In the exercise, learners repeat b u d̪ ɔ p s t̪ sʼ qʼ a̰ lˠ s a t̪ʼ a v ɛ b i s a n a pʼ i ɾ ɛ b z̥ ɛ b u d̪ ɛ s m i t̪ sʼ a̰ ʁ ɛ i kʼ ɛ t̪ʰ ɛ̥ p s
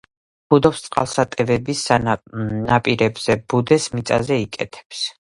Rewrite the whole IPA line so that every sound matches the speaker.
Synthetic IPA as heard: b u d̪ ɔ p s t̪ sʼ qʼ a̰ lˠ s a t̪ʼ ɛ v ɛ b i s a n a pʼ i ɾ ɛ b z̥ ɛ b u d̪ ɛ s m i t̪ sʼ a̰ z ɛ i kʼ ɛ t̪ʰ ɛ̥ p s